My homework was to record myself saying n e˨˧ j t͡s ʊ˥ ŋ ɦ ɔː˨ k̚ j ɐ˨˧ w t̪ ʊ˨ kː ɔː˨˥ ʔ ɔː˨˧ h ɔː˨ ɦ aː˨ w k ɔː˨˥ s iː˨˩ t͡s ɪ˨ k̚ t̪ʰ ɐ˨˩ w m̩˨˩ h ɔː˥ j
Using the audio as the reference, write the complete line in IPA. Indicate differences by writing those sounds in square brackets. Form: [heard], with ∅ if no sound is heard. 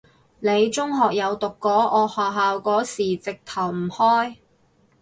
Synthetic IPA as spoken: n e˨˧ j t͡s ʊ˥ ŋ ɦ ɔː˨ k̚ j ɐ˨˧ w t̪ ʊ˨ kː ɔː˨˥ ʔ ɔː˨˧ h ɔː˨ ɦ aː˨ w k ɔː˨˥ s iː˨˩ t͡s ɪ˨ k̚ t̪ʰ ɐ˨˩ w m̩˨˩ h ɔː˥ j